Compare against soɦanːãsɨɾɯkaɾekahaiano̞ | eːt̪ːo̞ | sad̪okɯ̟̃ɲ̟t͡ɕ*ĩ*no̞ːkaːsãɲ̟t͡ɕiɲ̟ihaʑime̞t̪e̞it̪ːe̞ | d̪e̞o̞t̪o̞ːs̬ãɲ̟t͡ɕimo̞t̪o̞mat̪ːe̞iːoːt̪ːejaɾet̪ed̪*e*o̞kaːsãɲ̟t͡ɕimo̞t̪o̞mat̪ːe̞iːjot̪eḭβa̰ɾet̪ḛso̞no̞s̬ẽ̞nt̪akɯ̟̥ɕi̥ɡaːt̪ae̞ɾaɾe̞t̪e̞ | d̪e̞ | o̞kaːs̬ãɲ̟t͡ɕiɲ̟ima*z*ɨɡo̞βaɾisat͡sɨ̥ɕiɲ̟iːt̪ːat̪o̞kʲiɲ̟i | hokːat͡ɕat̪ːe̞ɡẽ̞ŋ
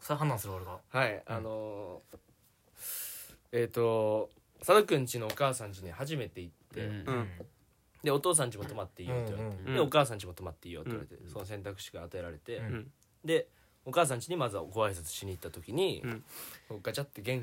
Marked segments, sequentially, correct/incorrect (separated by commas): incorrect, correct, correct